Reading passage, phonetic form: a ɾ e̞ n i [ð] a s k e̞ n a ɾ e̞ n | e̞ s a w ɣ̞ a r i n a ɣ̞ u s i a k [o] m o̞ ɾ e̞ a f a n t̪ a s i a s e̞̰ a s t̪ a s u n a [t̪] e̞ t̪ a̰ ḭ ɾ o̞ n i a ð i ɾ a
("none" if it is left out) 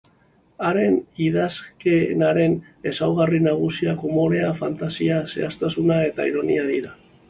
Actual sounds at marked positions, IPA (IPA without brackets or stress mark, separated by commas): ð, o, none